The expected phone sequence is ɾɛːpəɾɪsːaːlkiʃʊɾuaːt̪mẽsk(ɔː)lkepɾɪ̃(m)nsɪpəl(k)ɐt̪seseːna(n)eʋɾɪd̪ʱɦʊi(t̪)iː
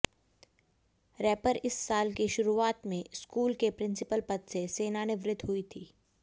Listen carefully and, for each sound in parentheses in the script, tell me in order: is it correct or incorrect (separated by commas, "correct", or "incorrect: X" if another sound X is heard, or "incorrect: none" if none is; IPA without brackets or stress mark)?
incorrect: uː, incorrect: none, incorrect: p, correct, incorrect: t̪ʰ